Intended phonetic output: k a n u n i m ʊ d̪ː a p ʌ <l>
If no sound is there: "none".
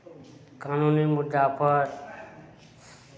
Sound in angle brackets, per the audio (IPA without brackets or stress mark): ɾ